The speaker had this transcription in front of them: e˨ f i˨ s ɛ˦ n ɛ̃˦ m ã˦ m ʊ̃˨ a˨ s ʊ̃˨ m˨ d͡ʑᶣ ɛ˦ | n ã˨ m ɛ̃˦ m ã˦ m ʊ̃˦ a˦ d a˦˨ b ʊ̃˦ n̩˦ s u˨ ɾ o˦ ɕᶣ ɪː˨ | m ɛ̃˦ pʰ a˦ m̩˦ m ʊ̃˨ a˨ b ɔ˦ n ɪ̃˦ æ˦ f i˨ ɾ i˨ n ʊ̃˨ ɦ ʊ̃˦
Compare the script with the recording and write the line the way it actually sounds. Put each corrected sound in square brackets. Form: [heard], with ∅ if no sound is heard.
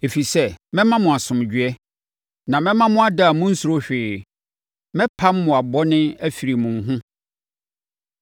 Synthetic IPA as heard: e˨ f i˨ s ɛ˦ [m] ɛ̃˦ m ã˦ m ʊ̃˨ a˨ s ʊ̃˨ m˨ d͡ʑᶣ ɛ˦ | n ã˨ m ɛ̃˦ m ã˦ m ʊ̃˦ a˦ d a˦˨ [m] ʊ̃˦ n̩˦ s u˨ ɾ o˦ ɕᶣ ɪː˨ | m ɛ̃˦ pʰ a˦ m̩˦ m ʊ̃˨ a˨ b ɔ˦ n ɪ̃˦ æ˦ f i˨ ɾ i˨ [m] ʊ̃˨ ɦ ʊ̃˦